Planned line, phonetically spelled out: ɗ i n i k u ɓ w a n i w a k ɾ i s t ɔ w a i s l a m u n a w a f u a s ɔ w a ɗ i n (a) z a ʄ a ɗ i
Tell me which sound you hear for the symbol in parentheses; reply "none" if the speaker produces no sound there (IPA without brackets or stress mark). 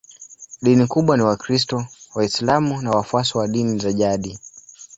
i